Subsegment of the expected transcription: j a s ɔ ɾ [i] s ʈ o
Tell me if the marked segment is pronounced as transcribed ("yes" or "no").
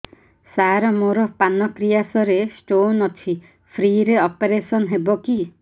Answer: no